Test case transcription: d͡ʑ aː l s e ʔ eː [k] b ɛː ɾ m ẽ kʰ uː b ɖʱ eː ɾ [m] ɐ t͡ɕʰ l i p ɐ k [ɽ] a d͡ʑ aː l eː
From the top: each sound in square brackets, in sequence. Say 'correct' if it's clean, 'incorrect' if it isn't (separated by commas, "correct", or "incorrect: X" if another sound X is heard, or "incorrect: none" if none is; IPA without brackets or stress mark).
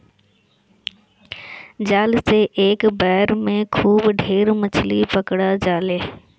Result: correct, correct, correct